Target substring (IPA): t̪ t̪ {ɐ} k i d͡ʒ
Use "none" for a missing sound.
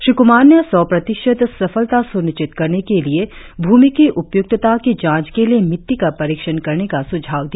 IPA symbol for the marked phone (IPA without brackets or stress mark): a